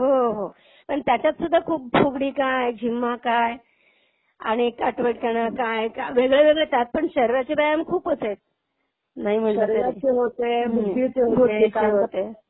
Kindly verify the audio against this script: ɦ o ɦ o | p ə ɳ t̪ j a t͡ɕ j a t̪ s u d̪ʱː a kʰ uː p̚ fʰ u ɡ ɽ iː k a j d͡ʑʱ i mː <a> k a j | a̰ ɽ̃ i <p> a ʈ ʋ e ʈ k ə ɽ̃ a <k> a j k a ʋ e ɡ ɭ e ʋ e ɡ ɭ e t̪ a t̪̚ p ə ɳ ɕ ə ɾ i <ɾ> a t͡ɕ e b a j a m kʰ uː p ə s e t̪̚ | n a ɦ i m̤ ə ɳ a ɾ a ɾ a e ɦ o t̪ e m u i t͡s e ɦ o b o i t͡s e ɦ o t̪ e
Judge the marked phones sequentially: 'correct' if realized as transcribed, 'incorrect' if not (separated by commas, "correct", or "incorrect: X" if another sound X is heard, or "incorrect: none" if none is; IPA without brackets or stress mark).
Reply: correct, incorrect: k, correct, correct